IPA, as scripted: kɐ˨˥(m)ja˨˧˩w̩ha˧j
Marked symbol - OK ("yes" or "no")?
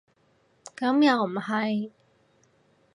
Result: yes